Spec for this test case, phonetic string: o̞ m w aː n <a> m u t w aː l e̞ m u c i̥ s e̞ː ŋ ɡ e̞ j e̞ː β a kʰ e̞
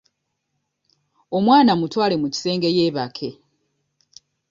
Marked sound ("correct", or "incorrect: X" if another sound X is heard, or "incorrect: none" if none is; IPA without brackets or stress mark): correct